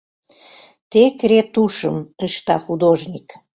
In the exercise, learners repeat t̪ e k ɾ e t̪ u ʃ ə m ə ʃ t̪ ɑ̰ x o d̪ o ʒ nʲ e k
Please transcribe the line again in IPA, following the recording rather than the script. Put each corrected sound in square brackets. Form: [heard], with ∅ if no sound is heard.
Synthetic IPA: t̪ e k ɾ e t̪ u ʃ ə m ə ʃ t̪ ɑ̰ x [u] d̪ o ʒ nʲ [i] k